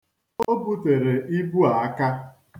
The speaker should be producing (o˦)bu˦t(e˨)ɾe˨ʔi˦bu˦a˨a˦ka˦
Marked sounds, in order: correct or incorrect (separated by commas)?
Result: correct, correct